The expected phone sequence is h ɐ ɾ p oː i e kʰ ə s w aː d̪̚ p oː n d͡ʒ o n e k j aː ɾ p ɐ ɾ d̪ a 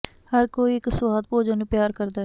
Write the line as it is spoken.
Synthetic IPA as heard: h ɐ ɾ k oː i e k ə s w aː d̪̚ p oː d͡ʒ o n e p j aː ɾ k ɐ ɾ d̪ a